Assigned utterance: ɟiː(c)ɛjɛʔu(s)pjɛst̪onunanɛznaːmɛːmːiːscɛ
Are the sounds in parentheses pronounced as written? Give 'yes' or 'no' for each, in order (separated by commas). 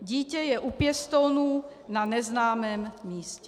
yes, no